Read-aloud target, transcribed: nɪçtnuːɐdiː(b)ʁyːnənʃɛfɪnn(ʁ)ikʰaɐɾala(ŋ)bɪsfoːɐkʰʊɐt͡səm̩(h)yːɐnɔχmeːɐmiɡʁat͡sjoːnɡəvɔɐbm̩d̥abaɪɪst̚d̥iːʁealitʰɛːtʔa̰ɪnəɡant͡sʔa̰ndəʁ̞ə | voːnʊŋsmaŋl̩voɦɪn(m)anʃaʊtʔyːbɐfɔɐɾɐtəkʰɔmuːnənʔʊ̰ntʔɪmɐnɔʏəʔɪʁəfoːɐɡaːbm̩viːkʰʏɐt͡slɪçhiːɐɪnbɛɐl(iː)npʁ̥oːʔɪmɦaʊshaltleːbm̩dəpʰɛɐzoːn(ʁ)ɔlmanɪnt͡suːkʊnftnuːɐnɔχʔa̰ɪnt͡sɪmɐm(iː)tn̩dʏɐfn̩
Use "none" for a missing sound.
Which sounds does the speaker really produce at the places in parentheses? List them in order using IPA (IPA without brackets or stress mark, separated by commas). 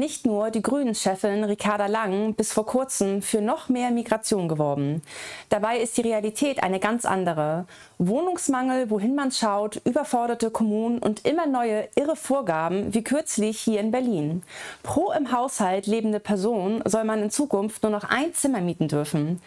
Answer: ɡ, ʁ, ŋ, f, m, iː, z, iː